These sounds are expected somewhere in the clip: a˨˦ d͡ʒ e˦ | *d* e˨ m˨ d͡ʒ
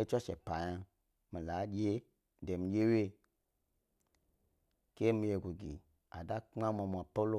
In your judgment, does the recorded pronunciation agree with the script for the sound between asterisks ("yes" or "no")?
yes